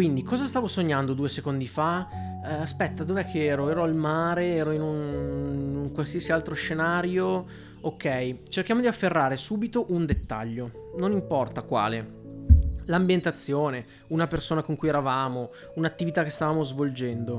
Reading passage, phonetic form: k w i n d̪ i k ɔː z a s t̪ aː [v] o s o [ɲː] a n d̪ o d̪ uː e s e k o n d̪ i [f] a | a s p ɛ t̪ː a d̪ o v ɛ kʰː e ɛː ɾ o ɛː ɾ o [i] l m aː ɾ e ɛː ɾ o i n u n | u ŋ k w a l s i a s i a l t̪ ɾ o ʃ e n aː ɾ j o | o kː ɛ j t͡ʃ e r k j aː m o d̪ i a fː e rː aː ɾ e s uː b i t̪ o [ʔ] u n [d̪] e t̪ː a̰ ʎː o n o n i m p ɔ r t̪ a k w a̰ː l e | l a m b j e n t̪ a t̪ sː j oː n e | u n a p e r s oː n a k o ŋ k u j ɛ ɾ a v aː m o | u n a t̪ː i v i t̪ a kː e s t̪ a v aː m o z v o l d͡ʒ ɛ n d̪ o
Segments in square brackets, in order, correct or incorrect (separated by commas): correct, correct, correct, incorrect, correct, correct